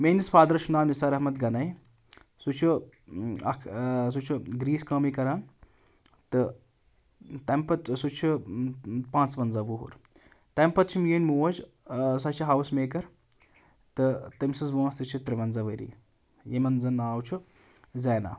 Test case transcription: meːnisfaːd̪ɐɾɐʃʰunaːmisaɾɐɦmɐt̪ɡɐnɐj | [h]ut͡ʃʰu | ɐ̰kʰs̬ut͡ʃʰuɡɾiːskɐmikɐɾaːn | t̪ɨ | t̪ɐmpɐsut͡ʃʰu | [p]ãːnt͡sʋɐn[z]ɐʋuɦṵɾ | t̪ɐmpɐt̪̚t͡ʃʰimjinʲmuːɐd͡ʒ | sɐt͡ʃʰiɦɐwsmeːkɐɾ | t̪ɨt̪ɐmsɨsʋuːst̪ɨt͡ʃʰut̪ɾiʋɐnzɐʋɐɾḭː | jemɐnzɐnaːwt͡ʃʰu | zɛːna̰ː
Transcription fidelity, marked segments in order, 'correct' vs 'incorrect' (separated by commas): incorrect, correct, correct